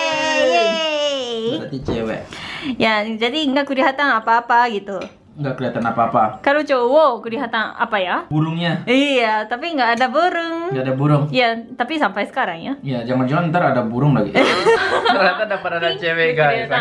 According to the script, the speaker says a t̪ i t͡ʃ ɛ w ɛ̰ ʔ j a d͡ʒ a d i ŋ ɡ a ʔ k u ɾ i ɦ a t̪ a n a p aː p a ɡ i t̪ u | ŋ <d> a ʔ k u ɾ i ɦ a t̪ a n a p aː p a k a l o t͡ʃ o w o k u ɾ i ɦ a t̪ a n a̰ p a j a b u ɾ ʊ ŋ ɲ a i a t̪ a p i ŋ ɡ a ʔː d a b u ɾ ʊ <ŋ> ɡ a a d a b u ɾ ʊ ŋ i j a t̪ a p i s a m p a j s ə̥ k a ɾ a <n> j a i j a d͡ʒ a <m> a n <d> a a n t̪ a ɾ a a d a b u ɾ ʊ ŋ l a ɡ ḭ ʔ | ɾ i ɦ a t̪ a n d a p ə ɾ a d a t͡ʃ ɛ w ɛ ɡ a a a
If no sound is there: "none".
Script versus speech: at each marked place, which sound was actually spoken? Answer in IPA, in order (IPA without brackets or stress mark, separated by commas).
ɡ, ŋ, ŋ, ŋ, d͡ʒ